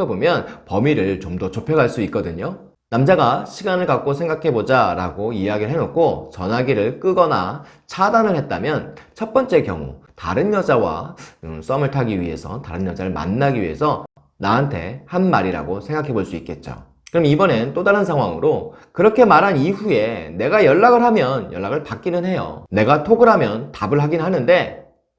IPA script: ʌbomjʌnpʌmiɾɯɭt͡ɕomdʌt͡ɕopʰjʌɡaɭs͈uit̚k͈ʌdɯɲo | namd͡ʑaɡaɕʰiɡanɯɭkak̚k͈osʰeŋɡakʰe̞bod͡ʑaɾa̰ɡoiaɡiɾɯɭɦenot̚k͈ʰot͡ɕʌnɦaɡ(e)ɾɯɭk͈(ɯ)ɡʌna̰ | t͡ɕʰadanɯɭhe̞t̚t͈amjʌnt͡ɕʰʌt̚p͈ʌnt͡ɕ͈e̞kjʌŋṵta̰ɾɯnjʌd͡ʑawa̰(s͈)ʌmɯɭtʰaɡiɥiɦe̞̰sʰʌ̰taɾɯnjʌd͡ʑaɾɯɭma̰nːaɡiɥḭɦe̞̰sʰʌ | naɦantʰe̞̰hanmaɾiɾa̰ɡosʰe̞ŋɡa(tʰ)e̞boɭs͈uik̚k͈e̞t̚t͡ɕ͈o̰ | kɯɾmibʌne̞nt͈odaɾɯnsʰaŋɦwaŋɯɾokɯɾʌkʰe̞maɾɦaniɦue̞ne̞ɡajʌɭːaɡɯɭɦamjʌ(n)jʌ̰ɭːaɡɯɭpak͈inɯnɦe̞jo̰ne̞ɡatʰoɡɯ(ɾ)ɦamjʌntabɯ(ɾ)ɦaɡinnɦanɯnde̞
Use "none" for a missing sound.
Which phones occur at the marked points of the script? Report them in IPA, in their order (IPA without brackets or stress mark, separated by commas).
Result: i, ɯ, s͈, kʰ, n, ɾ, ɭ